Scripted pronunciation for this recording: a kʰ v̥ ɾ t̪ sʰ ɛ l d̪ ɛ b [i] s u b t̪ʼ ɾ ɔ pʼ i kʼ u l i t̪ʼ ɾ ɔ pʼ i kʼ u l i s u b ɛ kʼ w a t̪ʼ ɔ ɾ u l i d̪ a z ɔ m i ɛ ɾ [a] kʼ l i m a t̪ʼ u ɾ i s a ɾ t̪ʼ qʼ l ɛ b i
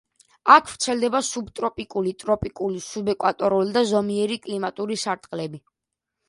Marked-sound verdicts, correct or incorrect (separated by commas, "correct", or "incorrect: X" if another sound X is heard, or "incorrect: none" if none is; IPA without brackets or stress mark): incorrect: a, incorrect: i